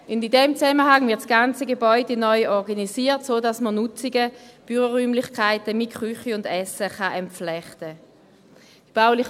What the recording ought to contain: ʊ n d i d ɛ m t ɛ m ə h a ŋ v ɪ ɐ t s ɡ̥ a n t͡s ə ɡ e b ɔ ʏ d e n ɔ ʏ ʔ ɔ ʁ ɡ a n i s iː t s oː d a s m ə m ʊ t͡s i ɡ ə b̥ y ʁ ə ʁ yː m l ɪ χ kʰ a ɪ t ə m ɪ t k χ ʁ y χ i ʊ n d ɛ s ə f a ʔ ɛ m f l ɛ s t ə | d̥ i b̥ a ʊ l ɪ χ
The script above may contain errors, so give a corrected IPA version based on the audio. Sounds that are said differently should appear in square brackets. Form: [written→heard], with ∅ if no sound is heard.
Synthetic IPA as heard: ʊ n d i d ɛ m [t→t͡s] ɛ m ə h a ŋ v ɪ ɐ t s ɡ̥ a n t͡s ə ɡ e b ɔ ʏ d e n ɔ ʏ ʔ ɔ ʁ ɡ a n i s iː t s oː d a s m ə [m→n] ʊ t͡s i ɡ ə b̥ y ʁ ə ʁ yː m l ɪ χ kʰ a ɪ t ə m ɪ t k χ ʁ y χ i ʊ n d ɛ s ə [f→χ] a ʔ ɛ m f l ɛ [s→χ] t ə | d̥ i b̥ a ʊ l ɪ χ